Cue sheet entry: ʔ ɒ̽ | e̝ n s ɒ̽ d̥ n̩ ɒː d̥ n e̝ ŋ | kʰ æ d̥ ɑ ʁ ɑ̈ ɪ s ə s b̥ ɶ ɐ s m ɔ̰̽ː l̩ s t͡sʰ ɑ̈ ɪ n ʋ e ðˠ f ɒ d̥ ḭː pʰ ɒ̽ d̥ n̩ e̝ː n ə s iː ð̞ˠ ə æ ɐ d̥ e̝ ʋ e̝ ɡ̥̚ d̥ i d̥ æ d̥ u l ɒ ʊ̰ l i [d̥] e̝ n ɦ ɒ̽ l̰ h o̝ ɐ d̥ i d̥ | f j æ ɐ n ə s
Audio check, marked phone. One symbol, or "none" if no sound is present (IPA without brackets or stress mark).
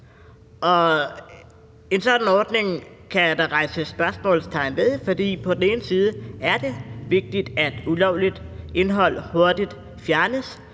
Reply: d̥